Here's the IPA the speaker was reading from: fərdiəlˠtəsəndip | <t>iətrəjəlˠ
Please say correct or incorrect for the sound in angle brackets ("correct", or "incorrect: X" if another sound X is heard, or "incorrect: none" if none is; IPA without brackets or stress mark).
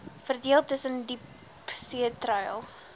incorrect: s